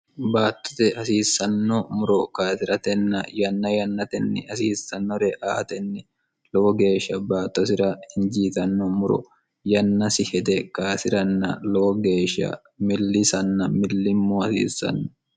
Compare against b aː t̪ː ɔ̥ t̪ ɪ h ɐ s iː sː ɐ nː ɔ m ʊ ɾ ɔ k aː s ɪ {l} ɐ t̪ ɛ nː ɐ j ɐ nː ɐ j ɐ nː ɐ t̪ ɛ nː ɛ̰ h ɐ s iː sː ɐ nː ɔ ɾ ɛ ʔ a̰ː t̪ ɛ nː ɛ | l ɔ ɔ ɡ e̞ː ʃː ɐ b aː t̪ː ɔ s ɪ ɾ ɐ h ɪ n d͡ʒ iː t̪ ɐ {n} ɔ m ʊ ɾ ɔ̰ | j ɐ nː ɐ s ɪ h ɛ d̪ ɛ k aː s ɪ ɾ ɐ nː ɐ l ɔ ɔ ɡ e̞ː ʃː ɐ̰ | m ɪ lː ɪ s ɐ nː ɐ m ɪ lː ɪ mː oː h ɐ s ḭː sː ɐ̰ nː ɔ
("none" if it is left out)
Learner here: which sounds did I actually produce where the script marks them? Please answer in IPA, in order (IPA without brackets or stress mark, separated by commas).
ɾ, nː